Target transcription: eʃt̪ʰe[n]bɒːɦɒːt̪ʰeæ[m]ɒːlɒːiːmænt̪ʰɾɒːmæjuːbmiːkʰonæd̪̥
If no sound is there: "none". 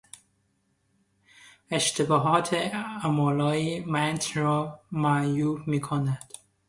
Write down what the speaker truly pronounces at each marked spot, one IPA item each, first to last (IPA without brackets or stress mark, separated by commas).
none, m